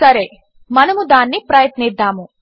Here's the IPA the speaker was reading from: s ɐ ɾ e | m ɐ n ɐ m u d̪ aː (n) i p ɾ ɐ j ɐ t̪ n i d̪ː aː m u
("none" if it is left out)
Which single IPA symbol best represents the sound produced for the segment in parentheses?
nː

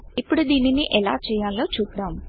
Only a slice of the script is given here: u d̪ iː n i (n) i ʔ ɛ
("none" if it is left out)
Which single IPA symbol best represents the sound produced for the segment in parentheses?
n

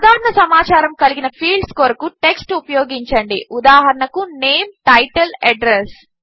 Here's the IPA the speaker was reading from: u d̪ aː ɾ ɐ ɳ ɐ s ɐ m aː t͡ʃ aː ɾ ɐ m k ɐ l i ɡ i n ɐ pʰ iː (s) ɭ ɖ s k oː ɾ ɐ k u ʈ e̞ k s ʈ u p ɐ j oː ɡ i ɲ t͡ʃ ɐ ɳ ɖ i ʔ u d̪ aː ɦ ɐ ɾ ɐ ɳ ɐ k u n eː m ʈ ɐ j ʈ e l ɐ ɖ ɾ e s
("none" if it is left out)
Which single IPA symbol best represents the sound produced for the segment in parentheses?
none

